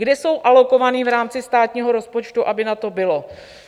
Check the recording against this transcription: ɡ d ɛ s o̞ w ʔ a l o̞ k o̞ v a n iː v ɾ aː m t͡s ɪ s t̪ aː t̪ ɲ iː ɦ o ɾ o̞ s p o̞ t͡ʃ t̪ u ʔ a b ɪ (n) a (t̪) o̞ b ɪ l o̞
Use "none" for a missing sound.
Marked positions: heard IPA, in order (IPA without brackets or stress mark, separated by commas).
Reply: n, t̪